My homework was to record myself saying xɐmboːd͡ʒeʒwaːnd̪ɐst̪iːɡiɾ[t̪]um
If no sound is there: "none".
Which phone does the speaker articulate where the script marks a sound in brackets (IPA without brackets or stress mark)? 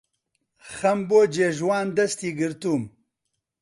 t̪